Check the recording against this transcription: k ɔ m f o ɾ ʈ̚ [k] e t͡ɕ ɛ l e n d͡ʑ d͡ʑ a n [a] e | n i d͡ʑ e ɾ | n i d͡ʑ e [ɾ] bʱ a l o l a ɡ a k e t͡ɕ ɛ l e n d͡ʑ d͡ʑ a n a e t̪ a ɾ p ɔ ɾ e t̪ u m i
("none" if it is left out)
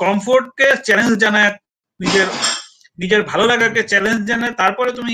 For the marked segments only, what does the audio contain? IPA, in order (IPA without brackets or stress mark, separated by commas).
k, a, ɾ